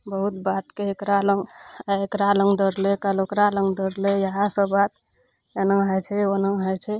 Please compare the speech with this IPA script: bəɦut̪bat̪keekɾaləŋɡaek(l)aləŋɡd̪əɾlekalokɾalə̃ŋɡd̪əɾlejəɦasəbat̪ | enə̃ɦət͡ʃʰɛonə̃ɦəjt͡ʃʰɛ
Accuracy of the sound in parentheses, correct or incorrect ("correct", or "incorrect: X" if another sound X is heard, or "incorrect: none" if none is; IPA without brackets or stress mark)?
incorrect: ɾ